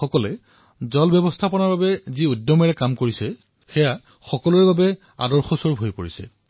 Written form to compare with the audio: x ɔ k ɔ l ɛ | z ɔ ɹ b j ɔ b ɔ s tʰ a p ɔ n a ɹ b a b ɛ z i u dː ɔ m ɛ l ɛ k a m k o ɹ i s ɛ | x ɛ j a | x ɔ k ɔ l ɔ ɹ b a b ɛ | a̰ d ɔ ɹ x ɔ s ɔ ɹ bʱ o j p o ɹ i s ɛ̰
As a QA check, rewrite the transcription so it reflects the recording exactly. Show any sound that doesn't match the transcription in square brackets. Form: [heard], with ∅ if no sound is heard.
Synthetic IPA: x ɔ k ɔ l ɛ | z ɔ [l] b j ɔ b ɔ s tʰ a p ɔ n a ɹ b a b ɛ z i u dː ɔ m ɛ [ɹ] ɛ k a m k o ɹ i s ɛ | x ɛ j a | x ɔ k ɔ l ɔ ɹ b a b ɛ | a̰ d ɔ ɹ x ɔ s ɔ ɹ bʱ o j p o ɹ i s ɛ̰